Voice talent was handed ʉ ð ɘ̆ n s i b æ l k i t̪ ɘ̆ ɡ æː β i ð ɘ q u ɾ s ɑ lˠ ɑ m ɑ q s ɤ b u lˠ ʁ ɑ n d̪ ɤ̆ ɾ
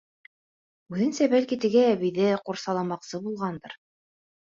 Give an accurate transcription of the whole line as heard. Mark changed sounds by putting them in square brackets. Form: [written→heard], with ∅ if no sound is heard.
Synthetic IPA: ʉ ð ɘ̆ n s [i→æ] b æ l k i t̪ ɘ̆ ɡ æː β i ð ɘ q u ɾ s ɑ lˠ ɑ m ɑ q s ɤ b u lˠ ʁ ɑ n d̪ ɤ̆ ɾ

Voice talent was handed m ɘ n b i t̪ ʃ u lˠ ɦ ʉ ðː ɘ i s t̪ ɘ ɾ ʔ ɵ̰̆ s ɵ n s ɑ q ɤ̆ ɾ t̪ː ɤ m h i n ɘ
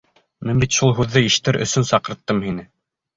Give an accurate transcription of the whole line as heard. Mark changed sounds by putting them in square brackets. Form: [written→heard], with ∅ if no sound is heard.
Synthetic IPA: m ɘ n b i t̪ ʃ u lˠ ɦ ʉ ðː ɘ i [s→ʃ] t̪ ɘ ɾ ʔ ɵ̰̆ s ɵ n s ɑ q ɤ̆ ɾ t̪ː ɤ m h i n ɘ

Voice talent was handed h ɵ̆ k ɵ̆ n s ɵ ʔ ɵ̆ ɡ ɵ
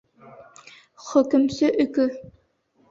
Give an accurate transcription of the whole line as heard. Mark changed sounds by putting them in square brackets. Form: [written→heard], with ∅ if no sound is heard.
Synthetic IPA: [h→χ] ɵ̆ k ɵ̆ [n→m] s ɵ ʔ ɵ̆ [ɡ→k] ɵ

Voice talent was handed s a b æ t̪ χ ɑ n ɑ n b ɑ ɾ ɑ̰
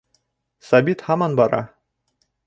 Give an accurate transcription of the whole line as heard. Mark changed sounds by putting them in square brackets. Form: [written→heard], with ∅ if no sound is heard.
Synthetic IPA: s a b [æ→i] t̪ [χ→h] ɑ [n→m] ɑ n b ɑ ɾ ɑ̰

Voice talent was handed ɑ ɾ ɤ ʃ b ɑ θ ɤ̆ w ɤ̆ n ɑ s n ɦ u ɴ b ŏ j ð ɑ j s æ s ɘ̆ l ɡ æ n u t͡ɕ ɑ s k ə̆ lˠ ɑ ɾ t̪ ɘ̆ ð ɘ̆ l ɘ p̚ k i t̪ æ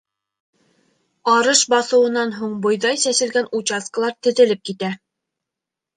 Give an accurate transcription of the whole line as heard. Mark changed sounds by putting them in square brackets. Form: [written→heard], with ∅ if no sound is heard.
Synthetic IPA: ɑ ɾ ɤ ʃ b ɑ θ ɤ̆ w ɤ̆ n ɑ [s→∅] n ɦ u ɴ b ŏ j ð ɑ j s æ s ɘ̆ l ɡ æ n u t͡ɕ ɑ s k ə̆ lˠ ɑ ɾ t̪ ɘ̆ ð ɘ̆ l ɘ p̚ k i t̪ æ

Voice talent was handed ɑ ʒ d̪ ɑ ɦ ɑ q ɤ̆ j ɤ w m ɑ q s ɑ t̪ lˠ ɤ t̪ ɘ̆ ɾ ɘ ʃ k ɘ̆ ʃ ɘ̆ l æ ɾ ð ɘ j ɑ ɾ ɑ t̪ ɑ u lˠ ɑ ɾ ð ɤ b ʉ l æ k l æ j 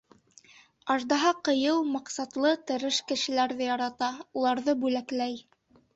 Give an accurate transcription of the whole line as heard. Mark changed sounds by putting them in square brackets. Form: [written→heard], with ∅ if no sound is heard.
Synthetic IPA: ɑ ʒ d̪ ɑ ɦ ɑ q ɤ̆ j ɤ w m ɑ q s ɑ t̪ lˠ ɤ t̪ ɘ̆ ɾ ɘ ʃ k ɘ̆ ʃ ɘ̆ l æ ɾ ð ɘ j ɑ ɾ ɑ t̪ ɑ u lˠ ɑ ɾ ð ɤ b ʉ l æ k l æ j

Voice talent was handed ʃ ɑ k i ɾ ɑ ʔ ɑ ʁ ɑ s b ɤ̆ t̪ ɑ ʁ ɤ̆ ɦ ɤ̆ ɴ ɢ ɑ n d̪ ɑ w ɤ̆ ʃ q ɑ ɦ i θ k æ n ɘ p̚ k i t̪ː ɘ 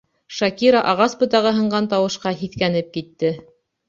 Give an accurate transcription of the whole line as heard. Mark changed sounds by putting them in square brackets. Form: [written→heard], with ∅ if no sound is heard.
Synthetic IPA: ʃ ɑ k i ɾ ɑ ʔ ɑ ʁ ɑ s b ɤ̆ t̪ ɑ ʁ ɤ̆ ɦ ɤ̆ ɴ ɢ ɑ n [d̪→t̪] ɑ w ɤ̆ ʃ q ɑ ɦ i θ k æ n ɘ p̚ k i t̪ː ɘ

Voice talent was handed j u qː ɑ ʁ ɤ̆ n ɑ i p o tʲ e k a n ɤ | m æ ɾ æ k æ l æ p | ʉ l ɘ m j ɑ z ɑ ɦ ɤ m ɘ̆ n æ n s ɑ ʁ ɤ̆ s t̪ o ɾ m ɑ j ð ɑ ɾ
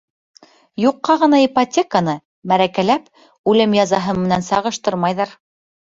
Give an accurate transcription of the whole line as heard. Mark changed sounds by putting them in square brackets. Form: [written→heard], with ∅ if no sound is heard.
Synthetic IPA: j u qː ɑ ʁ ɤ̆ n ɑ i p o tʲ e k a n ɤ | m æ ɾ æ k æ l æ p | ʉ l ɘ m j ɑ z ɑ ɦ ɤ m ɘ̆ n æ n s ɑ ʁ ɤ̆ [s→ʃ] t̪ [o→ɤ] ɾ m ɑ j ð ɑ ɾ

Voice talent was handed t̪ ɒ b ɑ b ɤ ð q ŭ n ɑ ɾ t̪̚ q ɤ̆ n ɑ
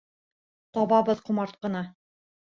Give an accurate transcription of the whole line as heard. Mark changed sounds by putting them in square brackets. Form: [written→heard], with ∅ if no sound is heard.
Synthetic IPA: t̪ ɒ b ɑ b ɤ ð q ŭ [n→m] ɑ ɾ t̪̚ q ɤ̆ n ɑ

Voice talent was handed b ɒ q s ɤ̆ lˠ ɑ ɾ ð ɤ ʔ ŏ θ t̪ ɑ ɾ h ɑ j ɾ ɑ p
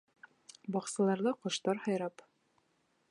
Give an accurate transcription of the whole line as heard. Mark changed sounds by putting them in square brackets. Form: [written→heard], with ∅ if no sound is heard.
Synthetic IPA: b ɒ q s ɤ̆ lˠ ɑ ɾ ð ɤ [ʔ→q] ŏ [θ→ʃ] t̪ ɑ ɾ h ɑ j ɾ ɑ p

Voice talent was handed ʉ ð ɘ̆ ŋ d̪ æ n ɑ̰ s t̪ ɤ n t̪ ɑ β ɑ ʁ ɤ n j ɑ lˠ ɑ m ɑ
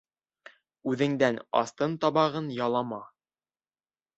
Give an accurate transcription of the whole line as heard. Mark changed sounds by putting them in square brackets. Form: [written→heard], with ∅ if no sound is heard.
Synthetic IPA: ʉ ð ɘ̆ ŋ d̪ æ n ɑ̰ s t̪ ɤ n t̪ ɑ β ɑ ʁ ɤ n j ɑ lˠ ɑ m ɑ

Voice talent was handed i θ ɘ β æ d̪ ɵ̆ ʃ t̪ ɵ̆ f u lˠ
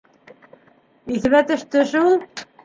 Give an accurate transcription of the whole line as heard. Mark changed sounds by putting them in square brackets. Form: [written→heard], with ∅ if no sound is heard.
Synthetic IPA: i θ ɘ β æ [d̪→t̪] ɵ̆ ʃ t̪ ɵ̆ [f→ʃ] u lˠ

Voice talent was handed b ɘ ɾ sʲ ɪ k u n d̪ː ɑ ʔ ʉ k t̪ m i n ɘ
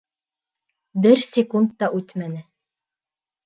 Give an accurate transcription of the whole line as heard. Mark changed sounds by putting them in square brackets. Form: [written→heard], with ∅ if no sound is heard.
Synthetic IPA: b ɘ ɾ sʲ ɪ k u n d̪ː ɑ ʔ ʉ [k→∅] t̪ m [i→æ] n ɘ

